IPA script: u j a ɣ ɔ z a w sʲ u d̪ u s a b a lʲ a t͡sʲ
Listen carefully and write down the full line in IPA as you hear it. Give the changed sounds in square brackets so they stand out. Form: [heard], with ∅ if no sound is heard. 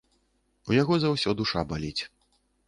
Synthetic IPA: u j a ɣ ɔ z a w sʲ [ɔ] d̪ u [ʂ] a b a lʲ [i] t͡sʲ